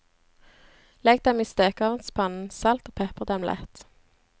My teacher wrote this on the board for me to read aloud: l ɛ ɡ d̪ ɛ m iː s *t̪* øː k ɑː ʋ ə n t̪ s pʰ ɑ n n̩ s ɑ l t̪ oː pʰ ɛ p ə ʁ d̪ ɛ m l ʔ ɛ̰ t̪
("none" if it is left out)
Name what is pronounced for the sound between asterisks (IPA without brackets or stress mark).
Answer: t̪